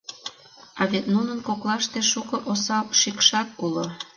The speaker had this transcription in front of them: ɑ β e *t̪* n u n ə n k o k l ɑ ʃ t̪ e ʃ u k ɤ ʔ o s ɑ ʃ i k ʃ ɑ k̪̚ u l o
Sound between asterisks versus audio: correct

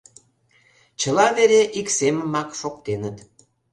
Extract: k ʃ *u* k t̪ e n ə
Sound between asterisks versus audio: incorrect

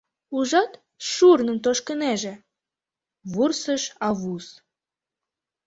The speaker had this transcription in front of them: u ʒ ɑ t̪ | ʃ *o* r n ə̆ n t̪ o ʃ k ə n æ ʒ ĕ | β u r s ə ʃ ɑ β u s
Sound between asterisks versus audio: incorrect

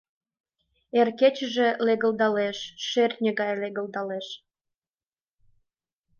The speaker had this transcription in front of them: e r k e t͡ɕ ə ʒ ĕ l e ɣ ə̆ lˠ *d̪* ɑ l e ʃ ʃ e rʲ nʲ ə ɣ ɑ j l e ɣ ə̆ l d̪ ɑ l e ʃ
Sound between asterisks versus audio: correct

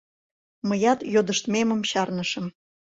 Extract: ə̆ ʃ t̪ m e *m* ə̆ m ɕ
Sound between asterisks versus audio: correct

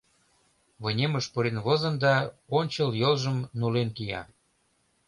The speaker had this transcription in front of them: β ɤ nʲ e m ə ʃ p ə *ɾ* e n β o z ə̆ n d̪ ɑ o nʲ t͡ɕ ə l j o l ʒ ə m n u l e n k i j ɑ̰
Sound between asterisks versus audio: correct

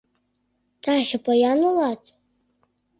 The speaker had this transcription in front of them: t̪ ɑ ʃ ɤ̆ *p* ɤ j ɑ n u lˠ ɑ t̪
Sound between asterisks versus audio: correct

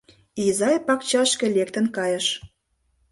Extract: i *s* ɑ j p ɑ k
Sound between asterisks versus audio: incorrect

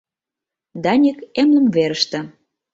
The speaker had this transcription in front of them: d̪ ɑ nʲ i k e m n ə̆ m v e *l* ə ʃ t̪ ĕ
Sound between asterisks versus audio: incorrect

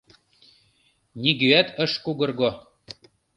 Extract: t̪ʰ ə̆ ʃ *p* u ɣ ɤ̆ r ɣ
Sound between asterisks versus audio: incorrect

